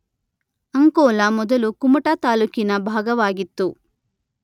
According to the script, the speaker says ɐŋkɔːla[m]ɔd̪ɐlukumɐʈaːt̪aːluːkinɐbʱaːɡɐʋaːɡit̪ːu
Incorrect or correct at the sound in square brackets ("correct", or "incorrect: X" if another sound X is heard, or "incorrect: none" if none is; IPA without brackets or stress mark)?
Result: correct